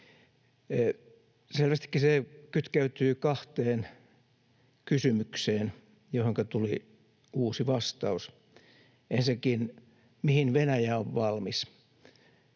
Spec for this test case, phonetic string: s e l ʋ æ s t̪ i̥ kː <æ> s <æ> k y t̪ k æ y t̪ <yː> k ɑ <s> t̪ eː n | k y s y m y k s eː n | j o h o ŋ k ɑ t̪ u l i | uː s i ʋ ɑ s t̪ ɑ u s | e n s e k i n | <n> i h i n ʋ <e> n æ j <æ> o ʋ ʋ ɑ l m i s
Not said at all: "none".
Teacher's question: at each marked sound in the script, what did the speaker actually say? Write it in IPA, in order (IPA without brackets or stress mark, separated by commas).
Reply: i, e, yː, h, m, e, æ